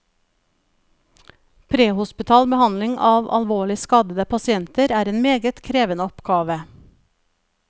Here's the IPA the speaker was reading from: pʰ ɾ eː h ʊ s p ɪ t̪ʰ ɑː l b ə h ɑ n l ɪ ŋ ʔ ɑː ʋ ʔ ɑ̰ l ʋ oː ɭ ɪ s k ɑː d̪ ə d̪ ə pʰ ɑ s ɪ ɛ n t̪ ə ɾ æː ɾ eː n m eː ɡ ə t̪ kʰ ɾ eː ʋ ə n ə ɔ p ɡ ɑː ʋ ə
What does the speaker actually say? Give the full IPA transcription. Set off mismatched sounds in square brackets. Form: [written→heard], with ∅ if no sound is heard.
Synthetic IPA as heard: pʰ ɾ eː h ʊ s p ɪ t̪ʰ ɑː l b ə h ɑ n l ɪ ŋ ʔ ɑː ʋ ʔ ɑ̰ l ʋ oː ɭ ɪ s k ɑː d̪ ə d̪ ə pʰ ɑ s ɪ ɛ n t̪ ə ɾ æː ɾ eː n m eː ɡ ə t̪ kʰ ɾ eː ʋ ə n ə ɔ p ɡ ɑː ʋ ə